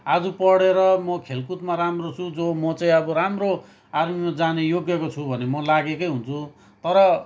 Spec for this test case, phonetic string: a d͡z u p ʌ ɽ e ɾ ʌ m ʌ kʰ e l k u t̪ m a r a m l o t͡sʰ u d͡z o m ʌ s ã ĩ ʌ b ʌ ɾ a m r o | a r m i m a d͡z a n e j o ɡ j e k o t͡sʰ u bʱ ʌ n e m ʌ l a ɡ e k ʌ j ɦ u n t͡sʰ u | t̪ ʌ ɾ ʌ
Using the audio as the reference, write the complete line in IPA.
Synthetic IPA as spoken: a d͡z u p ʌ ɽ e ɾ ʌ m ʌ kʰ e l k u t̪ m a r a m r o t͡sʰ u d͡z o m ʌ t͡s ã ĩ ʌ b ʌ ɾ a m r o | a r m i m a d͡z a n e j o ɡ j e k o t͡sʰ u bʱ ʌ n e m ʌ l a ɡ e k ʌ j ɦ u n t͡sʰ u | t̪ ʌ ɾ ʌ

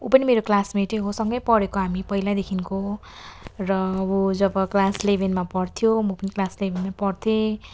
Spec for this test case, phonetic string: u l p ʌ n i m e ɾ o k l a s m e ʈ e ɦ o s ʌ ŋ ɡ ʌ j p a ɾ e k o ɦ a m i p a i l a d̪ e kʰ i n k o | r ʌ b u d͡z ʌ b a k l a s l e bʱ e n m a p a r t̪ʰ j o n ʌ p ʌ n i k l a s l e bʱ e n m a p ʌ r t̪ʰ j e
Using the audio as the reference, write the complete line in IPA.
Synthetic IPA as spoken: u p ʌ n i m e ɾ o k l a s m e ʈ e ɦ o s ʌ ŋ ɡ ʌ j p ʌ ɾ e k o ɦ a m i p ʌ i l a d̪ e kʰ i n k o | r ʌ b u d͡z ʌ b ʌ k l a s l e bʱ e n m a p ʌ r t̪ʰ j o m ʌ p ʌ n i k l a s l e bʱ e n m a p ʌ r t̪ʰ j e

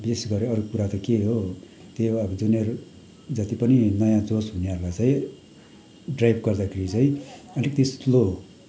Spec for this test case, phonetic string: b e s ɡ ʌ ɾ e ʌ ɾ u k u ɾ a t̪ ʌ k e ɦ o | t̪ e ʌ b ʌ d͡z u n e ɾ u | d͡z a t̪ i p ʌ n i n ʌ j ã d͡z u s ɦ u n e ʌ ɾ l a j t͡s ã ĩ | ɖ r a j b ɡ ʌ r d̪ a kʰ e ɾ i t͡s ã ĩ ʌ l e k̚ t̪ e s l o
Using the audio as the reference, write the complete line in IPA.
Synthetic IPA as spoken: b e s ɡ ʌ ɾ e ʌ ɾ u k u ɾ a t̪ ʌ k e ɦ o | t̪ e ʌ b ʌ d͡z u n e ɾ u | d͡z ʌ t̪ i p ʌ n i n ʌ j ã d͡z o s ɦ u n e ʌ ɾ l a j t͡s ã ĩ | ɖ r a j b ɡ ʌ r d̪ a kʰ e ɾ i t͡s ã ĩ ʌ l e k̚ t̪ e s l o

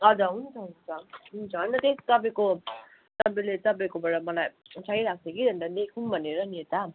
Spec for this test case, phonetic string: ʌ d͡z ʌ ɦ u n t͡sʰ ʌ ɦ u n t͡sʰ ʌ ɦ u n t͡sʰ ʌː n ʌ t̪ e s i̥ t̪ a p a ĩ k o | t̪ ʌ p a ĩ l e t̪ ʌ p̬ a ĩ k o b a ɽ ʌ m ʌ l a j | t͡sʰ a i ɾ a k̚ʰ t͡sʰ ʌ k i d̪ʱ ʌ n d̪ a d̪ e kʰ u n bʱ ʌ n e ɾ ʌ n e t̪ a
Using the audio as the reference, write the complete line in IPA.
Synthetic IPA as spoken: ʌ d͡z ʌ ɦ u n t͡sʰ ʌ ɦ u n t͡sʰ ʌ ɦ u n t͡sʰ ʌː n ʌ t̪ e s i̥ t̪ ʌ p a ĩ k o | t̪ ʌ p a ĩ l e t̪ ʌ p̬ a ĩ k o b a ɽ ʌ m ʌ l a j | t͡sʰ a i ɾ a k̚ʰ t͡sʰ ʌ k i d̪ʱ ʌ n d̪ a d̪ e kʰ u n bʱ ʌ n e ɾ ʌ n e t̪ a

